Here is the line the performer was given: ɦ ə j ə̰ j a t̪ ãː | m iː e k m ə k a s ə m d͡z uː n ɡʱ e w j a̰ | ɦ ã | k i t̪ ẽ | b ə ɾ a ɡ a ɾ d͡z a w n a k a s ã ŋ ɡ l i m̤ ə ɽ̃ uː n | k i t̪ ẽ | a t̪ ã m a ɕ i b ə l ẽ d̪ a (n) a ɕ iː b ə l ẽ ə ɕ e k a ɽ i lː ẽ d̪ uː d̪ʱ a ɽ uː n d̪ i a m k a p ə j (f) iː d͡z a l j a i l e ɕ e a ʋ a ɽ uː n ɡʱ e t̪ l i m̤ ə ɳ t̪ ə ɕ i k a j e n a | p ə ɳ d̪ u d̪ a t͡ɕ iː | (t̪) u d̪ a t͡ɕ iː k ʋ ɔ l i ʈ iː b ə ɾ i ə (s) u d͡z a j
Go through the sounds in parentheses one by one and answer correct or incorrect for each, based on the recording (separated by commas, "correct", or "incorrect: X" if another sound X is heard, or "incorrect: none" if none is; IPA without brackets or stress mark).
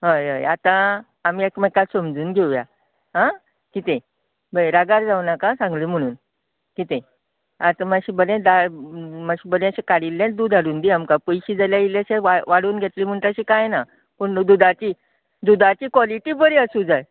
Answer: incorrect: m, incorrect: ɕ, incorrect: d̪, correct